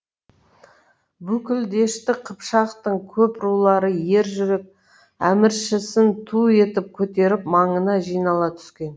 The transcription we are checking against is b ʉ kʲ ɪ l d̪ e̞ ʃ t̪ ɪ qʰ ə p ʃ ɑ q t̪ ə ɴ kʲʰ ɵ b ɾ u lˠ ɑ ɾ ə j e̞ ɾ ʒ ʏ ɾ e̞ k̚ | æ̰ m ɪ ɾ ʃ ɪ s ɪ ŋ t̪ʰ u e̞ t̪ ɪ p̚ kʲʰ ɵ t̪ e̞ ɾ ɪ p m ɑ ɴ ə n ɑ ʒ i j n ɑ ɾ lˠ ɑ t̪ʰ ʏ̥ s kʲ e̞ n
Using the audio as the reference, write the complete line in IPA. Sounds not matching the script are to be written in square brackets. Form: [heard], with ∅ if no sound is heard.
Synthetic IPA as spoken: b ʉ kʲ ɪ l d̪ e̞ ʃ t̪ ɪ qʰ ə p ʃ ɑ q t̪ ə ɴ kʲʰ ɵ [p] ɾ u lˠ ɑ ɾ ə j e̞ ɾ ʒ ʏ ɾ e̞ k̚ | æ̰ m ɪ ɾ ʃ ɪ s ɪ [n] t̪ʰ u e̞ t̪ ɪ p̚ kʲʰ ɵ t̪ e̞ ɾ ɪ p m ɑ ɴ ə n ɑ ʒ i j n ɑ [∅] lˠ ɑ t̪ʰ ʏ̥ s kʲ e̞ n